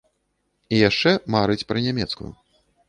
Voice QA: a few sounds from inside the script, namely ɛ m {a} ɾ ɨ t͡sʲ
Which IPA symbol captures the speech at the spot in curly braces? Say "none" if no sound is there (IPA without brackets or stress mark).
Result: a